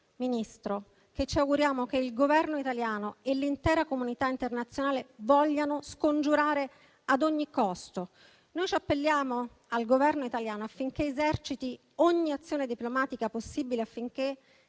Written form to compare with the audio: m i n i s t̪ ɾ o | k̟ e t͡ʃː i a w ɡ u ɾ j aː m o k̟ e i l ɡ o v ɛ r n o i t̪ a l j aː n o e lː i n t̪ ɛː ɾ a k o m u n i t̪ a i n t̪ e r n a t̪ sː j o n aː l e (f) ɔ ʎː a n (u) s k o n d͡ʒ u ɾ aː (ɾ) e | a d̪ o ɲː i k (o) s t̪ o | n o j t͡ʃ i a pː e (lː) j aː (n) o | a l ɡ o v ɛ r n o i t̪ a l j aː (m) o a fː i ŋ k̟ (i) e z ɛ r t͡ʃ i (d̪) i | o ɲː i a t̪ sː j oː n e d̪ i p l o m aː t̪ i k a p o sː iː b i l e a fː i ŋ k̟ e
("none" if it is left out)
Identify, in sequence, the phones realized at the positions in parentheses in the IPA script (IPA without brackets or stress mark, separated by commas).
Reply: v, o, ɾ, ɔ, lː, m, n, e, t̪